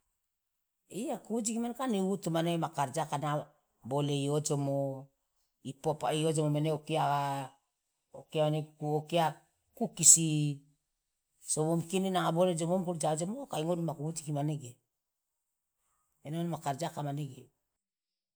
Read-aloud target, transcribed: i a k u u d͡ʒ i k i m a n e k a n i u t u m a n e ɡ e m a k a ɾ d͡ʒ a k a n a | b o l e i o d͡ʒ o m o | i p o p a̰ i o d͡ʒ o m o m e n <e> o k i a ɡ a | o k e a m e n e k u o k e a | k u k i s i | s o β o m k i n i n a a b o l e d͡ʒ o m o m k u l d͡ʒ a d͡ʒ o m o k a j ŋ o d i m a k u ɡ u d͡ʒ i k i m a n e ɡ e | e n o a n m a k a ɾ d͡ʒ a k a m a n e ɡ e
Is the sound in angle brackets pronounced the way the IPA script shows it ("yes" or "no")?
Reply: yes